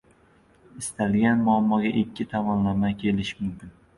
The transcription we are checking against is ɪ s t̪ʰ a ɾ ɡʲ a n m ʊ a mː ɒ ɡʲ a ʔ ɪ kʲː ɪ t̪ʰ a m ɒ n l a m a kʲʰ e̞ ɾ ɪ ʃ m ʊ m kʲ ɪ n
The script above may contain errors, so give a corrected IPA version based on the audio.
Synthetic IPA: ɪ s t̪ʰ a l ɡʲ a n m ʊ a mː ɒ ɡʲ a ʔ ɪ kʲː ɪ t̪ʰ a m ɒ n l a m a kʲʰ e̞ l ɪ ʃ m ʊ m kʲ ɪ n

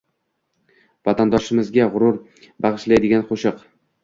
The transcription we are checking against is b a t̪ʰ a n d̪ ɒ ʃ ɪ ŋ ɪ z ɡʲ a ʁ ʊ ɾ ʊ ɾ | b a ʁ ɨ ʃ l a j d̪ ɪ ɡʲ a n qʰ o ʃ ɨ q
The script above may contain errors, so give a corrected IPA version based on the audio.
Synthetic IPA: v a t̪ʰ a n d̪ ɒ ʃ ɪ m ɪ z ɡʲ a ʁ ʊ ɾ ʊ ɾ | b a ʁ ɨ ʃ l a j d̪ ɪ ɡʲ a n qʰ o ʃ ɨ q

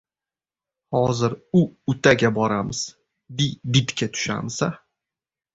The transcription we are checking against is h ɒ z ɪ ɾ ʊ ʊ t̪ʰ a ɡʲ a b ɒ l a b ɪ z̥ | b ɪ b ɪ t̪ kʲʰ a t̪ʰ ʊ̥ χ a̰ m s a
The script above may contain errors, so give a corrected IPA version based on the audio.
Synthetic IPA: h ɒ z ɪ ɾ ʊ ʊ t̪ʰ a ɡʲ a b ɒ ɾ a m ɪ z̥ | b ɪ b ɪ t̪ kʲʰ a t̪ʰ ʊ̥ ʃ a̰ m s a

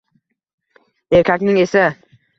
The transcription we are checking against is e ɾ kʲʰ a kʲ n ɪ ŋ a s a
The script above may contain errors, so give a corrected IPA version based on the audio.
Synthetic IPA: e ɾ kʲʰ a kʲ n ɪ ŋ e s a

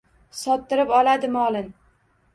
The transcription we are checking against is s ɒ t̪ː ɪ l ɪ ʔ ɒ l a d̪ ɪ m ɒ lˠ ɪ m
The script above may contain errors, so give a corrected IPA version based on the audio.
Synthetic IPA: s ɒ t̪ː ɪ ɾ ɪ p ɒ l a d̪ ɪ m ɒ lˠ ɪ n

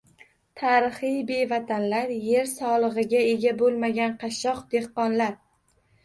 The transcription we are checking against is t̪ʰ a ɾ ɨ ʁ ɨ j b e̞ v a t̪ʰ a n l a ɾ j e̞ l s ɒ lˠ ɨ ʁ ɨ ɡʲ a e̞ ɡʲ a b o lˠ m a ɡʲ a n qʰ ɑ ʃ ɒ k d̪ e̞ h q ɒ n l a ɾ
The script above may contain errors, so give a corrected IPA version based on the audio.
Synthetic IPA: t̪ʰ a ɾ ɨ χ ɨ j b e̞ v a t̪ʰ a n l a ɾ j e̞ ɾ s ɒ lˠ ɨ ʁ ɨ ɡʲ a e̞ ɡʲ a b o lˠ m a ɡʲ a n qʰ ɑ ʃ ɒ q d̪ e̞ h q ɒ n l a ɾ

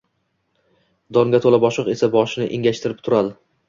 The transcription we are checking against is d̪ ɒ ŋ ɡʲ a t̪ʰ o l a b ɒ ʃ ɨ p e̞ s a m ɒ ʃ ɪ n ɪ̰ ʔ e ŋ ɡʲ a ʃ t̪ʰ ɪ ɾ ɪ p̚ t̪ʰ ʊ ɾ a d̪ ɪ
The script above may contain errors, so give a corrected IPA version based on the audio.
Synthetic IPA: d̪ ɒ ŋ ɡʲ a t̪ʰ o l a b ɒ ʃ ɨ q e̞ s a b ɒ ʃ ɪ n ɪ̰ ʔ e ŋ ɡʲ a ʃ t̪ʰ ɪ ɾ ɪ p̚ t̪ʰ ʊ ɾ a d̪ ɪ

